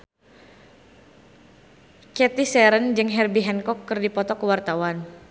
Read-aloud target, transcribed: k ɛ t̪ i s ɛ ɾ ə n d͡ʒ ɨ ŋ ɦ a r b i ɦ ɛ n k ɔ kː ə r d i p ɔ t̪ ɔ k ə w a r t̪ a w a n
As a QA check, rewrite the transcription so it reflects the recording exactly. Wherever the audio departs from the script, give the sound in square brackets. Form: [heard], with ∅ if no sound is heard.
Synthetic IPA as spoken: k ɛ t̪ i s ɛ ɾ ə n d͡ʒ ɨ ŋ ɦ [ɛ] r b i ɦ ɛ n k ɔ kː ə r d i p ɔ t̪ ɔ k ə w a r t̪ a w a n